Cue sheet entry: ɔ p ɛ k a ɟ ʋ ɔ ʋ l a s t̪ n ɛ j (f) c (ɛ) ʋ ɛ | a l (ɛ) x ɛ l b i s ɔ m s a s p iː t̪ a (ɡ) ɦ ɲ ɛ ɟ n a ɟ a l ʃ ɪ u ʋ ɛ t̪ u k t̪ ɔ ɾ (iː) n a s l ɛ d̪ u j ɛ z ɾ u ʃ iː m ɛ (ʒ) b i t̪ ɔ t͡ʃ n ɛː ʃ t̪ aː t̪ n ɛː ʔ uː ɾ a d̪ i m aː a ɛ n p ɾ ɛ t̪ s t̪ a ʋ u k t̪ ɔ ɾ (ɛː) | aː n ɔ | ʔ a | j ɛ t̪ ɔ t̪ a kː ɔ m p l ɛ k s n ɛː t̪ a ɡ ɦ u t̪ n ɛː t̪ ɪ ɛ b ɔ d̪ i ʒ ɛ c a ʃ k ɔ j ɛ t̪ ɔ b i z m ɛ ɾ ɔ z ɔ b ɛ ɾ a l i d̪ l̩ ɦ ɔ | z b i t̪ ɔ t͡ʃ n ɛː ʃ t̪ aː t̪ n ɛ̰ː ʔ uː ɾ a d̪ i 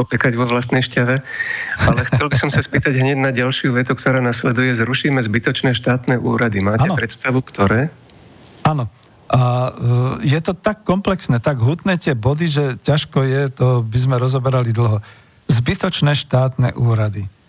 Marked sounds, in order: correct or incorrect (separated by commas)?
incorrect, incorrect, correct, incorrect, incorrect, incorrect, correct